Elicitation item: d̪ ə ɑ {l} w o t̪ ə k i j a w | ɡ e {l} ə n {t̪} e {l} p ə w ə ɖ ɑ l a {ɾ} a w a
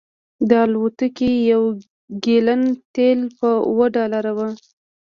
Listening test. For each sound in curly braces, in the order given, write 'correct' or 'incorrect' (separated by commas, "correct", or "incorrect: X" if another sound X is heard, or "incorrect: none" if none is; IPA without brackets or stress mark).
correct, correct, correct, correct, correct